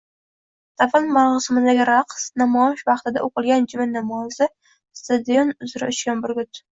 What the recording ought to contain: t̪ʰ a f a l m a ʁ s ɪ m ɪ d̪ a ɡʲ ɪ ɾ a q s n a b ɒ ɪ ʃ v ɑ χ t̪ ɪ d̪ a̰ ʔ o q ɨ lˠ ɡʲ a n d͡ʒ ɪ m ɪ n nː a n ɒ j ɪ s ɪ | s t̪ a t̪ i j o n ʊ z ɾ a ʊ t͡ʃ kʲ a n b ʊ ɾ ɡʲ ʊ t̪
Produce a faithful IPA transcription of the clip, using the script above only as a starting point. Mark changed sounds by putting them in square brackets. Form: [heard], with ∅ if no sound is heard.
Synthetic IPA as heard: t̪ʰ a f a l m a ʁ s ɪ m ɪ d̪ a ɡʲ ɪ ɾ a q s n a [m] ɒ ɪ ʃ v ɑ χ t̪ ɪ d̪ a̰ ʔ o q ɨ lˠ ɡʲ a n d͡ʒ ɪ m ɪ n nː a [m] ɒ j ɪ s ɪ | s t̪ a [d̪] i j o n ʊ z ɾ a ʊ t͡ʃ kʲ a n b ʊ ɾ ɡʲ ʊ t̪